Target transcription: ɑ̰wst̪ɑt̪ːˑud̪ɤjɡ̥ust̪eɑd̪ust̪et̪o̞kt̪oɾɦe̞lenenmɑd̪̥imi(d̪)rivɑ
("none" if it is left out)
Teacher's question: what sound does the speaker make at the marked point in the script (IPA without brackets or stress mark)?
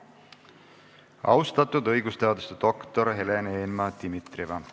t̪